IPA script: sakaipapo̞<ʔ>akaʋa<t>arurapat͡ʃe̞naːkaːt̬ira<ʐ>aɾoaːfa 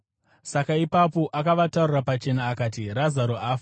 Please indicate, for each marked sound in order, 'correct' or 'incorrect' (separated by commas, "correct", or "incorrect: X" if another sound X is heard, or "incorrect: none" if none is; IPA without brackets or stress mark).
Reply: correct, correct, incorrect: z